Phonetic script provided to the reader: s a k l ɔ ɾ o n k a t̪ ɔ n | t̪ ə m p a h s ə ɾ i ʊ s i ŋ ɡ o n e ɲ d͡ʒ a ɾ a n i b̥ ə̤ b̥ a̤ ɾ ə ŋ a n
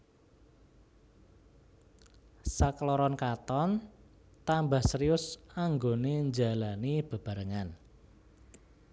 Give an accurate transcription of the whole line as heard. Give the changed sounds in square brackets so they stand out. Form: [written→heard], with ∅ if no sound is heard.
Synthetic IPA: s a k l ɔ ɾ [o→ɔ] n k a t̪ ɔ n | t̪ [ə→a] m [p→b] a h s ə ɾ i ʊ s [i→a] ŋ ɡ o n e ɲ d͡ʒ a [ɾ→l] a n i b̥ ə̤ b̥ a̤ ɾ ə ŋ a n